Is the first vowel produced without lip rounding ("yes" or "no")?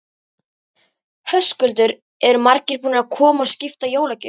no